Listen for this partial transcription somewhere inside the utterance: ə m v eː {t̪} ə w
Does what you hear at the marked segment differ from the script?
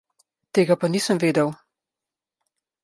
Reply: yes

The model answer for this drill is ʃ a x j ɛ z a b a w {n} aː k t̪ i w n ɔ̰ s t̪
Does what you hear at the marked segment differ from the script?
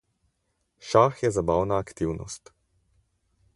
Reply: no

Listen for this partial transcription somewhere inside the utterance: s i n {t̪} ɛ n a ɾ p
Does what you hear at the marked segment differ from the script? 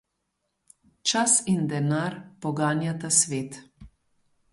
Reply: yes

